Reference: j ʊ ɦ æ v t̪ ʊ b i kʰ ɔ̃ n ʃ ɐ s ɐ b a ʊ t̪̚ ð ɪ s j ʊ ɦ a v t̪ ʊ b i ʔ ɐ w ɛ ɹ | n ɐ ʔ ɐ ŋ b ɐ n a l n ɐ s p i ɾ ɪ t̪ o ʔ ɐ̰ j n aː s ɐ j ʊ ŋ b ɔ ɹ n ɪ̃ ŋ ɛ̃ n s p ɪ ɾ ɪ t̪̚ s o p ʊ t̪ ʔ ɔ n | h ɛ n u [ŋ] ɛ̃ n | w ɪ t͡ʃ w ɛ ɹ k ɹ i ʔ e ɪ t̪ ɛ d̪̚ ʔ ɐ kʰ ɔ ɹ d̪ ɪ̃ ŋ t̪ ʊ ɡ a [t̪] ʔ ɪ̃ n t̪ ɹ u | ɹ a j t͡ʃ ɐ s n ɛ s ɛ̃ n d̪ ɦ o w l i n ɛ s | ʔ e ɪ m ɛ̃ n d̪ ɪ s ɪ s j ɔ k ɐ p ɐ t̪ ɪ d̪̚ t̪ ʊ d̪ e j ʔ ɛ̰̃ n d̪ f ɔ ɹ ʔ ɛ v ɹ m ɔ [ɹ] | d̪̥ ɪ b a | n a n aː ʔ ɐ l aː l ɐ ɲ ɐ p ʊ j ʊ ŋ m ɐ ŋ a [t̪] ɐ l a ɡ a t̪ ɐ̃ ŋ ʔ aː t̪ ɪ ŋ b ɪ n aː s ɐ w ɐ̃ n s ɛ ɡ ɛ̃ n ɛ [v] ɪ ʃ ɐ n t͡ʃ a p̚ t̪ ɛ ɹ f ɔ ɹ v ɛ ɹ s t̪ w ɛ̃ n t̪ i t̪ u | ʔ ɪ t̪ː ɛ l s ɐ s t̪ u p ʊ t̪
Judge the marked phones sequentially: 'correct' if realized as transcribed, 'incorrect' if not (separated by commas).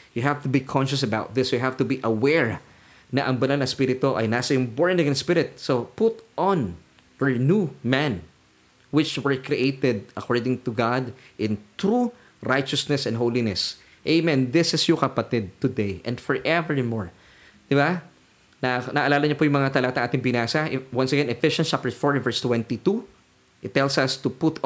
incorrect, incorrect, correct, correct, incorrect